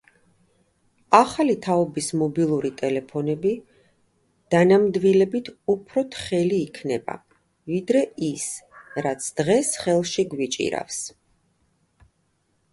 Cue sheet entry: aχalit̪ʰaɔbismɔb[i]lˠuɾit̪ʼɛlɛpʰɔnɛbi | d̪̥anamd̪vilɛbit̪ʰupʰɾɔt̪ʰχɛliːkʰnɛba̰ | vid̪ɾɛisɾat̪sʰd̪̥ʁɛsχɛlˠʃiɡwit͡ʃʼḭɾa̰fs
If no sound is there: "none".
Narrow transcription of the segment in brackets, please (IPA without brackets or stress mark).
i